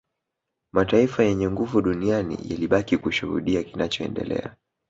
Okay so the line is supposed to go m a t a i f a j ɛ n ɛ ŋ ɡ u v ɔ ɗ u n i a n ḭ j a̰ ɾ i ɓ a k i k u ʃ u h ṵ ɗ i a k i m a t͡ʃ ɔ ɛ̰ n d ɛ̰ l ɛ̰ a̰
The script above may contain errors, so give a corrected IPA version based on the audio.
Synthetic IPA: m a t a i f a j ɛ ɲ ɛ ŋ ɡ u v u ɗ u n i a n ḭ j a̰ l i ɓ a k i k u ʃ u h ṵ ɗ i a k i n a t͡ʃ ɔ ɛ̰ n d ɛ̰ l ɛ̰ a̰